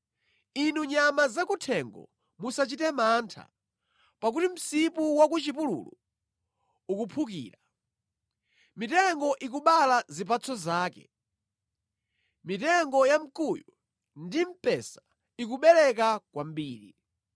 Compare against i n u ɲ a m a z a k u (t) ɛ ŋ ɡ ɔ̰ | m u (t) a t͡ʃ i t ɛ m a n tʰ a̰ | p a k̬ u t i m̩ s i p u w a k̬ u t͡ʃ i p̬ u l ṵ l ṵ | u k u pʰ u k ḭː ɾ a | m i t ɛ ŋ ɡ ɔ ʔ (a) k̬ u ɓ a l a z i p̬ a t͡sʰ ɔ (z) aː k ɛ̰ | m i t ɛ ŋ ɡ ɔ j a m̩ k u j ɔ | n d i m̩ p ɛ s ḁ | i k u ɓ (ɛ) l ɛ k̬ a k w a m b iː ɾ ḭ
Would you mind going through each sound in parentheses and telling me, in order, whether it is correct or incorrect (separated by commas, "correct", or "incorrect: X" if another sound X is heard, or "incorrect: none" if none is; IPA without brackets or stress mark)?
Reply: incorrect: tʰ, incorrect: s, incorrect: i, correct, correct